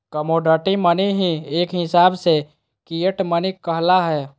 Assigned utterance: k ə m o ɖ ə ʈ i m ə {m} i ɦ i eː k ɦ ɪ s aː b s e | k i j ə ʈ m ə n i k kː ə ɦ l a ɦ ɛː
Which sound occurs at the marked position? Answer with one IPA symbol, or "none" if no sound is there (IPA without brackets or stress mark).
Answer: n